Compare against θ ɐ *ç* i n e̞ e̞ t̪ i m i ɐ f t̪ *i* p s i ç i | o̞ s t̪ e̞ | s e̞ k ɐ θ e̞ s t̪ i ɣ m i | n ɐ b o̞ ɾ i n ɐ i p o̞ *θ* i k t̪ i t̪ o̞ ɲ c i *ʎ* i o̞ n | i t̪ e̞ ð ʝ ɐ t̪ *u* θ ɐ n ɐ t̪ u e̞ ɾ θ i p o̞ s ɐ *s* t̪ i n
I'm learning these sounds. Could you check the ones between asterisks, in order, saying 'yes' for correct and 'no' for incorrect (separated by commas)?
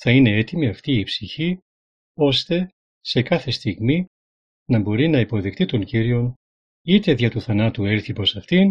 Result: no, no, no, no, yes, no